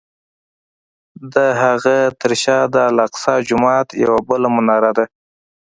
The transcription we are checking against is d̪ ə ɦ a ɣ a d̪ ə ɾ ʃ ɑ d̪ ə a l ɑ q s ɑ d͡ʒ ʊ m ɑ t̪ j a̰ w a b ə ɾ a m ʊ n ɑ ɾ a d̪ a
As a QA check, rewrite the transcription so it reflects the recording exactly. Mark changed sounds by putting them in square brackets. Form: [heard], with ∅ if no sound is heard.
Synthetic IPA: d̪ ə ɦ a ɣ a [t̪] ə ɾ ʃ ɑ d̪ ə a l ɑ q s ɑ d͡ʒ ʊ m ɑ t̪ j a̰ w a b ə [l] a m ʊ n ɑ ɾ a d̪ a